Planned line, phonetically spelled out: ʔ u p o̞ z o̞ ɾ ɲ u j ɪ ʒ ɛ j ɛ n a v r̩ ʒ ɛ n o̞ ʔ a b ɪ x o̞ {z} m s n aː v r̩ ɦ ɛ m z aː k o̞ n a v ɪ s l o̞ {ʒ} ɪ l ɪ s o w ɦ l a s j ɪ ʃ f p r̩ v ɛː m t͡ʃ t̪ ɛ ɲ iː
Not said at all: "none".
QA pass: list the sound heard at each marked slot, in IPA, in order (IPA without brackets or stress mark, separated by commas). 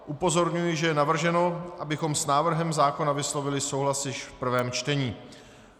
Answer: none, v